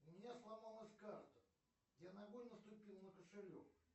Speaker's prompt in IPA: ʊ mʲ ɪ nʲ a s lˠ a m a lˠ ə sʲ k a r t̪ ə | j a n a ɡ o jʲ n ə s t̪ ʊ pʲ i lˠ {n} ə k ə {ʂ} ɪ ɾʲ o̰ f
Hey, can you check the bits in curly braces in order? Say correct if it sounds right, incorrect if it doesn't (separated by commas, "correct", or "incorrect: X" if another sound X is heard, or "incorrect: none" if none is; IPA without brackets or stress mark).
correct, correct